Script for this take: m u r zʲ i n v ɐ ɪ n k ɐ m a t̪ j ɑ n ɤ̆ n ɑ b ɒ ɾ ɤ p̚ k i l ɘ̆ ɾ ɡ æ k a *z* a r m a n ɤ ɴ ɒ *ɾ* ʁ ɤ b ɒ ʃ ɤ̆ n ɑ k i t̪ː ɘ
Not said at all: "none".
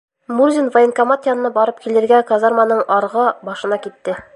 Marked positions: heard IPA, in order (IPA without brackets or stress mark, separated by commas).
z, ɾ